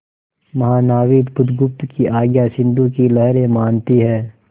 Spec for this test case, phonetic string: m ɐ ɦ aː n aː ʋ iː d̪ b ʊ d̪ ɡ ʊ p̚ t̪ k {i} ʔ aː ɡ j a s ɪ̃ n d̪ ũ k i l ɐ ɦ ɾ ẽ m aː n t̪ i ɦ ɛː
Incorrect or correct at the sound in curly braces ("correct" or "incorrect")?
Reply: correct